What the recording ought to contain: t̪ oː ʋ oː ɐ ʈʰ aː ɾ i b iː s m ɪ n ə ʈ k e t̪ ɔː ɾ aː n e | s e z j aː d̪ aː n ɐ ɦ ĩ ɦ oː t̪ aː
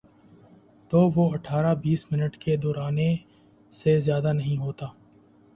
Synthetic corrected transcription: t̪ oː ʋ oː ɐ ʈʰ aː ɾ a b iː s m ɪ n ə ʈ k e d̪ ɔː ɾ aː n e | s e z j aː d̪ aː n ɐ ɦ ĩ ɦ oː t̪ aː